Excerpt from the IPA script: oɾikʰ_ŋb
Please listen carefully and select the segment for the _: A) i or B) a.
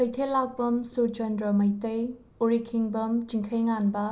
A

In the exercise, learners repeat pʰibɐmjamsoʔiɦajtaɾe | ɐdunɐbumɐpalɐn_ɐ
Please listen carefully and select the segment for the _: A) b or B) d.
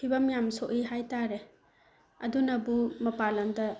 B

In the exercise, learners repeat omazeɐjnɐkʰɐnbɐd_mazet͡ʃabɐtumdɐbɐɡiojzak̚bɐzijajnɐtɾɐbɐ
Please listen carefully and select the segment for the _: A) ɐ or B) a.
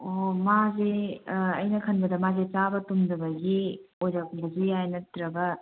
A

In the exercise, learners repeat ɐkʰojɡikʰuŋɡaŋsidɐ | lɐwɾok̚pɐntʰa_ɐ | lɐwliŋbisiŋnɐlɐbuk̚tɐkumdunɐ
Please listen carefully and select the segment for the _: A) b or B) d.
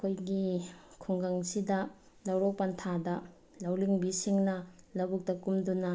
B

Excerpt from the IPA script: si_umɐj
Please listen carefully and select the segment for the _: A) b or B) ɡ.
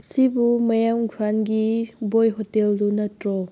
A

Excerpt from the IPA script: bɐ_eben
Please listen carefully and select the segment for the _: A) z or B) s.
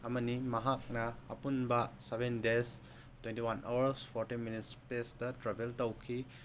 B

